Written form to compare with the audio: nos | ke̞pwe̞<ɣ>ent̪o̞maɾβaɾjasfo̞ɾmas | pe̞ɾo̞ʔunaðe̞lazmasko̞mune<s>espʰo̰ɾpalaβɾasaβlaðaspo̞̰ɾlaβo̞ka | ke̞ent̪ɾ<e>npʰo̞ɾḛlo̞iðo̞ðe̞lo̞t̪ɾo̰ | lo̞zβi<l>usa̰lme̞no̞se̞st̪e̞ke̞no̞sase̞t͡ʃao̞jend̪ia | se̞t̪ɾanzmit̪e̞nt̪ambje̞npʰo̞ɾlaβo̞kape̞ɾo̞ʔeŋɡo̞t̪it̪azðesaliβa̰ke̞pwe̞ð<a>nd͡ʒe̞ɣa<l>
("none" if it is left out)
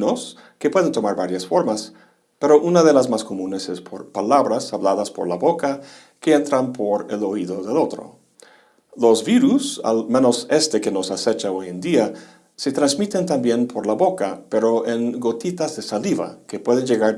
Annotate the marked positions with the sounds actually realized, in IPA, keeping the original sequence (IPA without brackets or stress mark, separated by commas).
ð, s, a, ɾ, e, ɾ